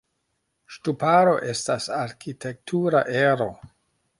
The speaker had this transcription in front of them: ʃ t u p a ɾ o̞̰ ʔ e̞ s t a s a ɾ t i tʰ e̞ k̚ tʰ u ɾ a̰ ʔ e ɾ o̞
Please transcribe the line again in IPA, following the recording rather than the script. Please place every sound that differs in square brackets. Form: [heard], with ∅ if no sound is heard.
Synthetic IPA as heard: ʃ t u p a ɾ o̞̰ ʔ e̞ s t a s a ɾ [k] i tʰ e̞ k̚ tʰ u ɾ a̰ ʔ e ɾ o̞